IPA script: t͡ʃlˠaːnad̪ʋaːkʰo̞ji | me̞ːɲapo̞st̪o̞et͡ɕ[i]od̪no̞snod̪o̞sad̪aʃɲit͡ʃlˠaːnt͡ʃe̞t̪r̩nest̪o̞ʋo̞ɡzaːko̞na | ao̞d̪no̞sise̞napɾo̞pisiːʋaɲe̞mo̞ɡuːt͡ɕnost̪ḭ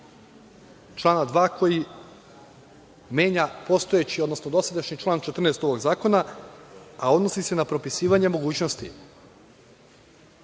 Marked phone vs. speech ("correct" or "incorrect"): correct